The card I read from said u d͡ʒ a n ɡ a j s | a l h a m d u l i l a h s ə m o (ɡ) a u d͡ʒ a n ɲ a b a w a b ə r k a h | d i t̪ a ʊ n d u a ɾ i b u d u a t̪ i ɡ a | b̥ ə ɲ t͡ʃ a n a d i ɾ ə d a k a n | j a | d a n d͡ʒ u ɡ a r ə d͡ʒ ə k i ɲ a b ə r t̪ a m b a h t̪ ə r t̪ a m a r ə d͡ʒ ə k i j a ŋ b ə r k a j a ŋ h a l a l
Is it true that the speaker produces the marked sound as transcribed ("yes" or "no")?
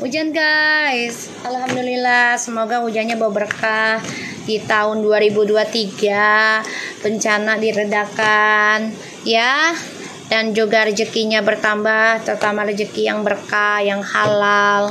yes